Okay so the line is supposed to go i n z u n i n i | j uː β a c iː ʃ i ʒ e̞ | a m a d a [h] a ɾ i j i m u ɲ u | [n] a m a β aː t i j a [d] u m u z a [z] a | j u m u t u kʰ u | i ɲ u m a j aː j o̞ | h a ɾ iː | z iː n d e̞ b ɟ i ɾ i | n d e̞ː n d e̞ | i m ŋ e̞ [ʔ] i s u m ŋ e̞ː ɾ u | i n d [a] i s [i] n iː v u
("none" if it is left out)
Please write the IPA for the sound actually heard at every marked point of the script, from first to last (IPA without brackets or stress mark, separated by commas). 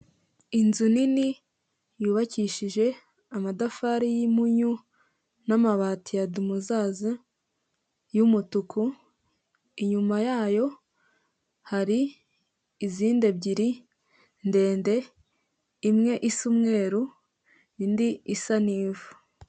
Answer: f, n, d, z, ʔ, i, a